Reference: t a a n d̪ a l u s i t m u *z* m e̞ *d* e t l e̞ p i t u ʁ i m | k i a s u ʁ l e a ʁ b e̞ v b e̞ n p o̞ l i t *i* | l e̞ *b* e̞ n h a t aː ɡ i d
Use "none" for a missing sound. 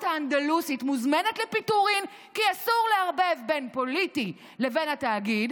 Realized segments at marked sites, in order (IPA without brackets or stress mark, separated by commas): z, n, i, v